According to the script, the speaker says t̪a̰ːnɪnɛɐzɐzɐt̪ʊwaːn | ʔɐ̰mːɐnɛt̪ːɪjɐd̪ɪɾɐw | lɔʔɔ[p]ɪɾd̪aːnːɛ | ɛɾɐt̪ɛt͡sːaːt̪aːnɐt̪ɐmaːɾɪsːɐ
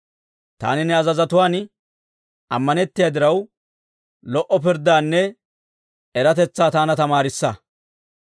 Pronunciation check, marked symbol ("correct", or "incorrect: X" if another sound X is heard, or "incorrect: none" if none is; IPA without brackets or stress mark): correct